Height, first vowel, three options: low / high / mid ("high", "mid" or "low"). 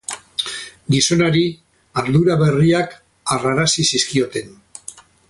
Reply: high